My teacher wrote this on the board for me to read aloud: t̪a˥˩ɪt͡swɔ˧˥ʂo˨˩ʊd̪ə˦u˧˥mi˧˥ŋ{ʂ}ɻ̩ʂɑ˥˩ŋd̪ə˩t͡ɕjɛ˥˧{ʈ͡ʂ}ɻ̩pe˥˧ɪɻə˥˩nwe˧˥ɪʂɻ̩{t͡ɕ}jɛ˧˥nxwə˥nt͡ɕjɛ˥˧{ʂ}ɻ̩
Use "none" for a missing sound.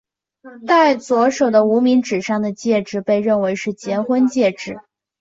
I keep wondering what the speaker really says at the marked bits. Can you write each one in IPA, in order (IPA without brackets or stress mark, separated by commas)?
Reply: ʈ͡ʂ, ʈ͡ʂ, t͡ɕ, ʈ͡ʂ